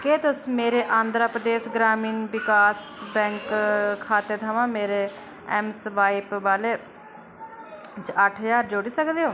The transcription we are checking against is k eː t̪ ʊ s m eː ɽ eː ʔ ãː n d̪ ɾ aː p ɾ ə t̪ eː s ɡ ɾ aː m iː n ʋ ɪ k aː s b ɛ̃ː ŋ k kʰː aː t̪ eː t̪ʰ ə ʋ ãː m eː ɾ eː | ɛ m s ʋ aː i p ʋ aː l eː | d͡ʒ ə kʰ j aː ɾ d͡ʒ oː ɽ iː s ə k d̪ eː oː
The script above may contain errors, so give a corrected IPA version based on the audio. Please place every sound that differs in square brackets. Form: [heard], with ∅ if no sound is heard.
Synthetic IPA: k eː t̪ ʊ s m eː [ɾ] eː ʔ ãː n d̪ ɾ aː p ɾ ə [d̪] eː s ɡ ɾ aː m iː n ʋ ɪ k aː s b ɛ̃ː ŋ k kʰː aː t̪ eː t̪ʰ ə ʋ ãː m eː ɾ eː | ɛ m s ʋ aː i p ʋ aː l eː | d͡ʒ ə [ʈʰ] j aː ɾ d͡ʒ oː ɽ iː s ə k d̪ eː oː